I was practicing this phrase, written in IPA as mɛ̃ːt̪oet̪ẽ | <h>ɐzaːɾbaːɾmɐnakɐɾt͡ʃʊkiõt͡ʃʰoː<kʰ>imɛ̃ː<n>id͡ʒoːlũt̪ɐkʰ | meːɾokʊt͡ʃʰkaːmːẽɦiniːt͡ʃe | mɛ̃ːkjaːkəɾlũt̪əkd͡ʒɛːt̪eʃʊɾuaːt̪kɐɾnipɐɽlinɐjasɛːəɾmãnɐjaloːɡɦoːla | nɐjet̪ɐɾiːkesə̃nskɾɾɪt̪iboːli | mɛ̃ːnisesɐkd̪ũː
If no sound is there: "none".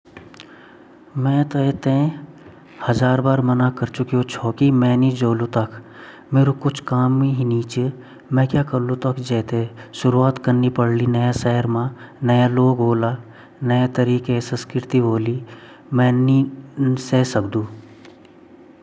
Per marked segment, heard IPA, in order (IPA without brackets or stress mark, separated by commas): h, k, n